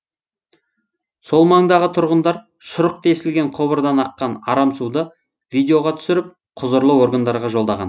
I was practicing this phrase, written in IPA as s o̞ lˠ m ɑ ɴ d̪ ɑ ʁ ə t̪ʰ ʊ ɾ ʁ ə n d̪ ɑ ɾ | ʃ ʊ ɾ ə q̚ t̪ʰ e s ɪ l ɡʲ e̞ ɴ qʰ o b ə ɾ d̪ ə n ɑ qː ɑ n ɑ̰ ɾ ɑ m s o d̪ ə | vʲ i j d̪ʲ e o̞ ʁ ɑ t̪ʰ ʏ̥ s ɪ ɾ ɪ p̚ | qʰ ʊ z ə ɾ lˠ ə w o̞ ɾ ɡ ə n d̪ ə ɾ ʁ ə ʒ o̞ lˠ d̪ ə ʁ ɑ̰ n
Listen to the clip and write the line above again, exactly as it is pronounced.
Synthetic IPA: s o̞ lˠ m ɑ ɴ d̪ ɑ ʁ ə t̪ʰ ʊ ɾ ʁ ə n d̪ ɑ ɾ | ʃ ʊ ɾ ə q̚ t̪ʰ e s ɪ l ɡʲ e̞ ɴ qʰ o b ə ɾ d̪ ɑ n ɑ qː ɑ n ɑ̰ ɾ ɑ m s u d̪ ə | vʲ i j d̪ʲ e o̞ ʁ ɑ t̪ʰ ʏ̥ s ɪ ɾ ɪ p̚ | qʰ ʊ z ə ɾ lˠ ə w o̞ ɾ ɡ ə n d̪ ɑ ɾ ʁ ɑ ʒ o̞ lˠ d̪ ɑ ʁ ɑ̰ n